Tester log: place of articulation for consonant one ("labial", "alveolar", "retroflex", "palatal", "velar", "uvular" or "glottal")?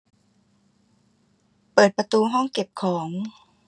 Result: labial